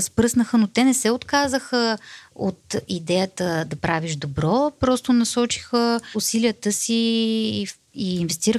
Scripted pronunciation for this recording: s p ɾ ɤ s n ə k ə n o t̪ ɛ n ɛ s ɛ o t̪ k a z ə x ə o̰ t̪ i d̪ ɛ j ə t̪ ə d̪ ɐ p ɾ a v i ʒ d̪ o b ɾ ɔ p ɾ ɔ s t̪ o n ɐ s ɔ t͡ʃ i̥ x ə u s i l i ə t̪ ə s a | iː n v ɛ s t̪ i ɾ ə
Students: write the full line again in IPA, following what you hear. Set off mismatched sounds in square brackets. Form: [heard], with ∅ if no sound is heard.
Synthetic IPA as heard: s p ɾ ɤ s n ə [x] ə n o t̪ ɛ n ɛ s ɛ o t̪ k a z ə x ə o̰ t̪ i d̪ ɛ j ə t̪ ə d̪ ɐ p ɾ a v i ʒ d̪ o b ɾ ɔ p ɾ ɔ s t̪ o n ɐ s ɔ t͡ʃ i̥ x ə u s i l i ə t̪ ə s [i] | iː n v ɛ s t̪ i ɾ ə